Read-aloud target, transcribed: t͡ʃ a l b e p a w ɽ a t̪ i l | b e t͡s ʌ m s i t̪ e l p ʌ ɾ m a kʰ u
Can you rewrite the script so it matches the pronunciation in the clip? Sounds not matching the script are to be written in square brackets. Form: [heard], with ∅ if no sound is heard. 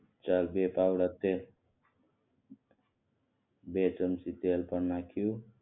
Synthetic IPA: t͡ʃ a l b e p a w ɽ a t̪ [e] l | b e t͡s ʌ m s i t̪ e l p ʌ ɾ [n] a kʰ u